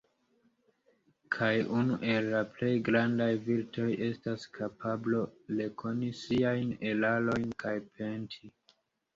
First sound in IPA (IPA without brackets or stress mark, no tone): kʰ